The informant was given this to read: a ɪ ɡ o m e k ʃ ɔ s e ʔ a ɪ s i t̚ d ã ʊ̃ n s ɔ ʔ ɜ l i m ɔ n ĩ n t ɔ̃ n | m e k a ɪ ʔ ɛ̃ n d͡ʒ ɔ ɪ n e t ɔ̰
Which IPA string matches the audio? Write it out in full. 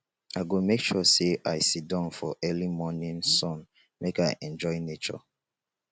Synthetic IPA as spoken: a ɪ ɡ o m e k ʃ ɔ s e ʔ a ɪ s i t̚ d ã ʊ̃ n f ɔ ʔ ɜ l i m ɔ n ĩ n s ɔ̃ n | m e k a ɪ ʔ ɛ̃ n d͡ʒ ɔ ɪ n e t͡ʃ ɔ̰